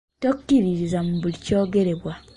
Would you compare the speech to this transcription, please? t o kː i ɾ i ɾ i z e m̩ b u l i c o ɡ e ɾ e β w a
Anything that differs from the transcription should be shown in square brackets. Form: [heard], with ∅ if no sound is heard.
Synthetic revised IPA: t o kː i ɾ i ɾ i z [a] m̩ b u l i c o ɡ e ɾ e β w a